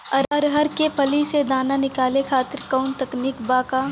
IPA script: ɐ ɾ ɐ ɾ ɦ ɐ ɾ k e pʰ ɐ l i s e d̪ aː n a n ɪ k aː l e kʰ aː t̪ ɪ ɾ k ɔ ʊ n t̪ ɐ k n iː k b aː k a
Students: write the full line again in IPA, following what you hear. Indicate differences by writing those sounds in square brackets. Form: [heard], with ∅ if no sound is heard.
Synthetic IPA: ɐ ɾ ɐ ɾ ɦ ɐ ɾ k e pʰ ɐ l i s e d̪ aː n a n ɪ k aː l e kʰ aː t̪ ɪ ɾ k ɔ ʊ n t̪ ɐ k n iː k b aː k a